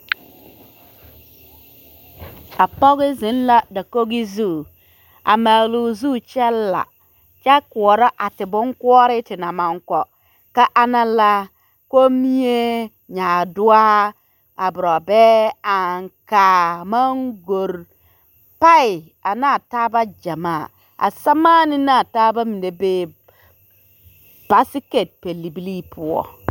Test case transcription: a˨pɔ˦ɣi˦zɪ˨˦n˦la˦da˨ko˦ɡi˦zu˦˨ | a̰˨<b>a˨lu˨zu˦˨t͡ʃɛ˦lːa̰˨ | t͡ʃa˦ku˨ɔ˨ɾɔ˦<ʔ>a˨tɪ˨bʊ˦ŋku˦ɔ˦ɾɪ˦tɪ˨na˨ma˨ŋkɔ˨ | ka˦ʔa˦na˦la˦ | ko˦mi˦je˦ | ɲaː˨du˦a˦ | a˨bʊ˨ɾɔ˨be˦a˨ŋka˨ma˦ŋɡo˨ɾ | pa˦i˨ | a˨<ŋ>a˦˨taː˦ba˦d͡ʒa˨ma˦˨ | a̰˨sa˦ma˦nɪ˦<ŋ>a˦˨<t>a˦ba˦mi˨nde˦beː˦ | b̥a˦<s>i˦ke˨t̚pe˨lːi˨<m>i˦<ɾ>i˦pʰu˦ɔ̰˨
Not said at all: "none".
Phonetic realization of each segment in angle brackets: m, ʔ, n, n, t, s, b, l

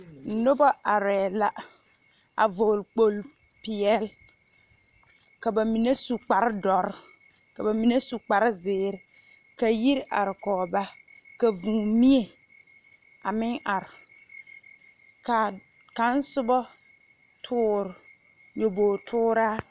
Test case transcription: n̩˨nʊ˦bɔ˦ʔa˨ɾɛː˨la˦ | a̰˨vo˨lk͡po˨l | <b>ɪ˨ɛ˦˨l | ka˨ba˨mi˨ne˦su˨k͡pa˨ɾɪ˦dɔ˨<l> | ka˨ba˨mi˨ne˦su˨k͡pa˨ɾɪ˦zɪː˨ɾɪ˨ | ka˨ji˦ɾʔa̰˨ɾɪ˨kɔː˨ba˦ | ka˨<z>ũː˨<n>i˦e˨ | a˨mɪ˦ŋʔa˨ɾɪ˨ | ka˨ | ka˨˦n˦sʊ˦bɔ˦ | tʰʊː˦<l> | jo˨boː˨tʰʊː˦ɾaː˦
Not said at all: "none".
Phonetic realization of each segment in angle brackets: p, ɾ, v, m, ɾ

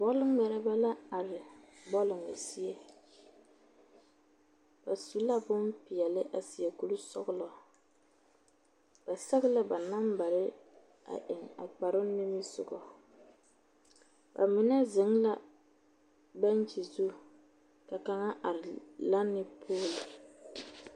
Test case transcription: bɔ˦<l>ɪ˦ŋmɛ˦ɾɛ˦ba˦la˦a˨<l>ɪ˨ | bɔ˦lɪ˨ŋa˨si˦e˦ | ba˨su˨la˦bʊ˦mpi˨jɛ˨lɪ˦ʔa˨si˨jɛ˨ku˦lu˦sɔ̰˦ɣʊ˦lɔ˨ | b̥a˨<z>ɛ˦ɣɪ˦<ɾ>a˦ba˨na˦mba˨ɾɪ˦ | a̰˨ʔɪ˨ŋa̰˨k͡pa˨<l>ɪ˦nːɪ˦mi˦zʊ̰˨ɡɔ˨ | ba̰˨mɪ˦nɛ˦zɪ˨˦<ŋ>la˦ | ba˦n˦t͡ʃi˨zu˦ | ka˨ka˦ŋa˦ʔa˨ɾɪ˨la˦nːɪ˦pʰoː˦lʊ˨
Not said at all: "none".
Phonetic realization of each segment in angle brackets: l, ɾ, s, l, ɾ, ŋ

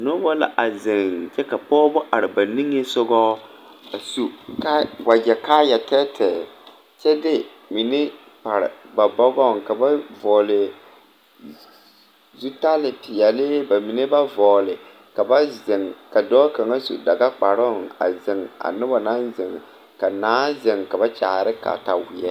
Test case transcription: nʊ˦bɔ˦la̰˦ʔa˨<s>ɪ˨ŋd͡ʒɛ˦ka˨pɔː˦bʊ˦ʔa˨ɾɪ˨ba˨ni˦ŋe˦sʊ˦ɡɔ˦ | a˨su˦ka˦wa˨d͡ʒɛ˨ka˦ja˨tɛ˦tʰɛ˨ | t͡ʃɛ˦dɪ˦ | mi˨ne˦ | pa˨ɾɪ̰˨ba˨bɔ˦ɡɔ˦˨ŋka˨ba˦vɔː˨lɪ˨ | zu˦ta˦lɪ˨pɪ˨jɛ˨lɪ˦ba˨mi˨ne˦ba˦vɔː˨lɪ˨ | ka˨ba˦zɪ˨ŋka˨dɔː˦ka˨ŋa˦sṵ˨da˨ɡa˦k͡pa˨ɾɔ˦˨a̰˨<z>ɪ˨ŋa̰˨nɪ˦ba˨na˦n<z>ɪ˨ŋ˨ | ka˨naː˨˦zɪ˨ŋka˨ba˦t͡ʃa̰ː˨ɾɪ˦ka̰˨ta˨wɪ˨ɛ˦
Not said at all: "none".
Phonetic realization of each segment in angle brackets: z, z, z

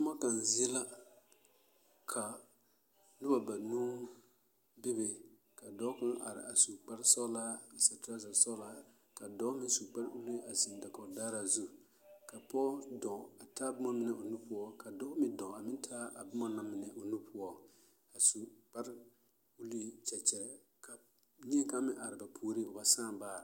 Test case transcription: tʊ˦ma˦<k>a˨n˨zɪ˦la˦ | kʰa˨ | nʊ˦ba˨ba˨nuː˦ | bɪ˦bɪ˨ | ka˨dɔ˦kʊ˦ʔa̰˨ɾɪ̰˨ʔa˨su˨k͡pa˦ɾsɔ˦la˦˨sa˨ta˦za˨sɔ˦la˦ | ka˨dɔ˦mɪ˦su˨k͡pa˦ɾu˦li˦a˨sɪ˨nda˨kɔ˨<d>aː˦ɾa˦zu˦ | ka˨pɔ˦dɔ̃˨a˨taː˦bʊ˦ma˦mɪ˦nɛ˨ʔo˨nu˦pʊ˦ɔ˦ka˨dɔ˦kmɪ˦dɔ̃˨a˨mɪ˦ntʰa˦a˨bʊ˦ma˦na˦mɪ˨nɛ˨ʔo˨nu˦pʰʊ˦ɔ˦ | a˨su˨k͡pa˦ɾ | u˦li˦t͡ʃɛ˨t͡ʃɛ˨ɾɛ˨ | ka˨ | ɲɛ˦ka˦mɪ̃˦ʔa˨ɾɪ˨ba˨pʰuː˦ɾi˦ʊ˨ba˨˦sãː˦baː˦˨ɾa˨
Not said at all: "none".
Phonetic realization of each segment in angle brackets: k, d

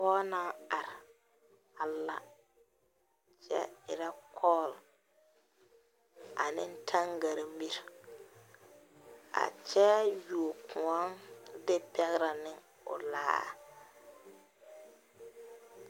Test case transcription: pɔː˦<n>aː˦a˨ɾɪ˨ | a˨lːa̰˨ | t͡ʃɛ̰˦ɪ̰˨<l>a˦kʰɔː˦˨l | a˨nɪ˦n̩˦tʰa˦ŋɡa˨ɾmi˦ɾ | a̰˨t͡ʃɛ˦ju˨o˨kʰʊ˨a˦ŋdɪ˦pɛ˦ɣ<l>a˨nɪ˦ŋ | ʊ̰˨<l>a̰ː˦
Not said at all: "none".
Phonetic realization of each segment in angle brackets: n, ɾ, ɾ, l

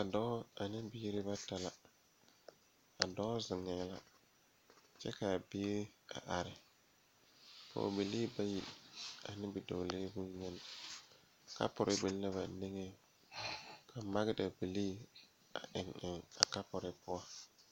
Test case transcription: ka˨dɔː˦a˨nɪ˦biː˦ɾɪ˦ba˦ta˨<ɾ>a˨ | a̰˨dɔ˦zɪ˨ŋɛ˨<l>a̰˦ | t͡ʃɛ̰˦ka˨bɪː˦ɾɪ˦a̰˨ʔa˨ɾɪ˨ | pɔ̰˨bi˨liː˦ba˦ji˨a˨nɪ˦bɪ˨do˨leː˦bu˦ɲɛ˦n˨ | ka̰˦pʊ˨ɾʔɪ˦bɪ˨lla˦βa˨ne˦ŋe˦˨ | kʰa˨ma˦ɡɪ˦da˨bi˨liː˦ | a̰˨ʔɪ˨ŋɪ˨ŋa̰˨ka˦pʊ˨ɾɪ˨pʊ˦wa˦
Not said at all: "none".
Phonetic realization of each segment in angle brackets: l, l

